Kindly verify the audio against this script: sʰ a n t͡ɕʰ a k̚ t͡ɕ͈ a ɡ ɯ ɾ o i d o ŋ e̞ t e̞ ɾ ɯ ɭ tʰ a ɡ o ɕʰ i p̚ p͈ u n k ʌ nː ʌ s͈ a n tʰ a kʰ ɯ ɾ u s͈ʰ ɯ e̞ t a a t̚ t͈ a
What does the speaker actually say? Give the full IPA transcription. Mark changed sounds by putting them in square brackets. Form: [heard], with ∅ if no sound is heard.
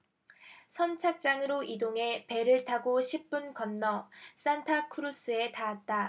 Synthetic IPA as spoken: sʰ [ʌ] n t͡ɕʰ a k̚ t͡ɕ͈ a [ŋ] ɯ ɾ o i d o ŋ e̞ [p] e̞ ɾ ɯ ɭ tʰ a ɡ o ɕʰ i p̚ p͈ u n k ʌ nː ʌ s͈ a n tʰ a kʰ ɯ ɾ u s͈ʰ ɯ e̞ t a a t̚ t͈ a